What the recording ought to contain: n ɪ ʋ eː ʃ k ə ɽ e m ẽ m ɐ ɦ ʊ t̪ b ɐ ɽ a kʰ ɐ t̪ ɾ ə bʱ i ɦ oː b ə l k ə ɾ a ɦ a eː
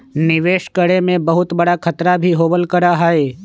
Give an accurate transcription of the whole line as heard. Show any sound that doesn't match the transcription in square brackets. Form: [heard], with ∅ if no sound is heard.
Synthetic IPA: n ɪ ʋ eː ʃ k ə ɽ e m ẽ [b] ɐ ɦ ʊ t̪ b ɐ ɽ a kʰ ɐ t̪ ɾ [a] bʱ i ɦ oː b ə l k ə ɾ a ɦ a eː